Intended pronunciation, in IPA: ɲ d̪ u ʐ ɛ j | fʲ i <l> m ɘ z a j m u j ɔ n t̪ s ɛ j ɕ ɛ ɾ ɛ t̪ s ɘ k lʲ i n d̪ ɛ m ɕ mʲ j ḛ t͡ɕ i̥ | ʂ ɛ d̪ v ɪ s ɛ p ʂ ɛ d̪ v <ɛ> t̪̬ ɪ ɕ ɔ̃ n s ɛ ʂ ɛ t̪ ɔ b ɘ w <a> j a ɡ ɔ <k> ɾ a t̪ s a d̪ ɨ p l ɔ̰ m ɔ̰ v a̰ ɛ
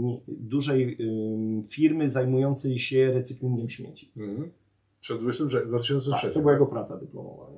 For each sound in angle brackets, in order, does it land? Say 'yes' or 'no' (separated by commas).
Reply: no, no, yes, no